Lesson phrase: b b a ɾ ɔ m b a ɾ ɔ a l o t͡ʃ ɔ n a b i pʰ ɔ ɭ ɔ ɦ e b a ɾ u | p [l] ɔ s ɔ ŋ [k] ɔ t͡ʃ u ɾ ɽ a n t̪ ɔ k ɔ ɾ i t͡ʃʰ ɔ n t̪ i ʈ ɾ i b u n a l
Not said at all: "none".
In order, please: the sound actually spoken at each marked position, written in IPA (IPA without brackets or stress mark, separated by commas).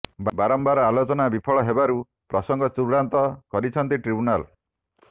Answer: ɾ, ɡ